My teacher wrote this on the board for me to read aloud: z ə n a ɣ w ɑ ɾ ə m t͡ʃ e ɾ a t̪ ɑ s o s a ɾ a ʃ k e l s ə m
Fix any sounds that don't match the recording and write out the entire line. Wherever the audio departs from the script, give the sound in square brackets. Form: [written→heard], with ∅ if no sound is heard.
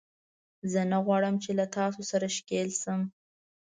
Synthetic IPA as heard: z ə n a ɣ w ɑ [ɾ→ɽ] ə m t͡ʃ e [ɾ→l] a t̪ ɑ s o s a ɾ a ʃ k e l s ə m

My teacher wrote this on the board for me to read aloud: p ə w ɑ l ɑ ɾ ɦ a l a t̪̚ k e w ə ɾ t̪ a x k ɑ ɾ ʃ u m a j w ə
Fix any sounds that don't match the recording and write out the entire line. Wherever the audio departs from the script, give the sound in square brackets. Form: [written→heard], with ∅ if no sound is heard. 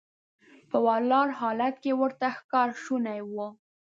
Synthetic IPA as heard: p ə w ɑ l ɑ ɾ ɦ [a→ɑ] l a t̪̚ k e w ə ɾ t̪ a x k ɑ ɾ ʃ u [m→n] a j w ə

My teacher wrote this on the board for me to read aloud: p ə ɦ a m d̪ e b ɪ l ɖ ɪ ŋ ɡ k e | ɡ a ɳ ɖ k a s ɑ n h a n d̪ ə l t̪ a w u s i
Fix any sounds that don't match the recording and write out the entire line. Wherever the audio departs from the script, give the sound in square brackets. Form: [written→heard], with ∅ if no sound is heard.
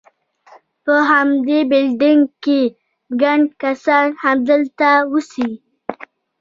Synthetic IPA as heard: p ə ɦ a m d̪ e b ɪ l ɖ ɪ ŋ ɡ k e | ɡ a ɳ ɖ k a s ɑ n h a [n→m] d̪ ə l t̪ a w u s i

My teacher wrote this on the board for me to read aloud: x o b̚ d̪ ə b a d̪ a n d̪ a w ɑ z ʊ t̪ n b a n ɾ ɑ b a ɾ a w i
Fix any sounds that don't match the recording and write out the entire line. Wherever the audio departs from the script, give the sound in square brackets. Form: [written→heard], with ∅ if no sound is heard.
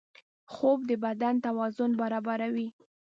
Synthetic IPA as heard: x o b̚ d̪ ə b a d̪ a n [d̪→t̪] a w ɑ z ʊ [t̪→∅] n b a [n→∅] ɾ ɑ b a ɾ a w i

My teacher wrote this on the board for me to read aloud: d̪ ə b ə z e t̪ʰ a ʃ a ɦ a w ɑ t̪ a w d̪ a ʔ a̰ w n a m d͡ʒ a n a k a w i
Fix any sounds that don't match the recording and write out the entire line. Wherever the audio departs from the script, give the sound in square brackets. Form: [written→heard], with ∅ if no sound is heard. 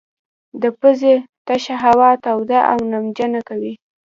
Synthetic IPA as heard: d̪ ə [b→p] ə z e [t̪ʰ→t̪] a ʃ a ɦ a w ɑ t̪ a w d̪ a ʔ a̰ w n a m d͡ʒ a n a k a w i

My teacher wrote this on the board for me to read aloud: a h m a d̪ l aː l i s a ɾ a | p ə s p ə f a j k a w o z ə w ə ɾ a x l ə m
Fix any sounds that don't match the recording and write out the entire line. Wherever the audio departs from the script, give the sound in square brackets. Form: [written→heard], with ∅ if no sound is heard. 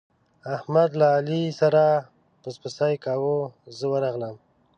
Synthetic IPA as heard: a h m a d̪ l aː l i s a ɾ a | p ə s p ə [f→s] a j k a w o z ə w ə ɾ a [x→ɣ] l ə m

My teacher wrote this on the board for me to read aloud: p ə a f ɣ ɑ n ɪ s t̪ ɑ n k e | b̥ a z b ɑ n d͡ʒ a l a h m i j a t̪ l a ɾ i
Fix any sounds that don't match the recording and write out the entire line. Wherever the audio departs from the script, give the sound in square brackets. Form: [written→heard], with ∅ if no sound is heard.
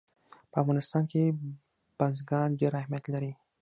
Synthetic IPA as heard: p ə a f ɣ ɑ n ɪ s t̪ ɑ n k e | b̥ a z [b→ɡ] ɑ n d͡ʒ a [l→ɾ] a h m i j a t̪ l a ɾ i

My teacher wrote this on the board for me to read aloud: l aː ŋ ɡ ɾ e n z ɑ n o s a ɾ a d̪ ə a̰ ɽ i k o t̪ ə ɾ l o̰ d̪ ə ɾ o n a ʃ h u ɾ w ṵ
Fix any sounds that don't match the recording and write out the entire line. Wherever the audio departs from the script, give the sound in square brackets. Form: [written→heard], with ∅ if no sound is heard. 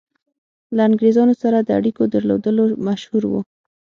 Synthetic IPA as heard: l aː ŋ ɡ ɾ e [n→∅] z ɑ n o s a ɾ a d̪ ə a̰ ɽ i k o [t̪→d̪] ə ɾ l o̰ d̪ ə [ɾ→l] o [n→m] a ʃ h u ɾ w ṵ

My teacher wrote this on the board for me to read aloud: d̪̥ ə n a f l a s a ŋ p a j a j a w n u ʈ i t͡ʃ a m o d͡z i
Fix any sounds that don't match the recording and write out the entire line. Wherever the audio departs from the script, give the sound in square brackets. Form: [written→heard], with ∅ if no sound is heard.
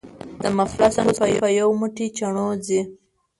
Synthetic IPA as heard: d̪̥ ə [n→m] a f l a s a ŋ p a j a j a w [n→m] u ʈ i t͡ʃ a [m→ɳ] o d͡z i

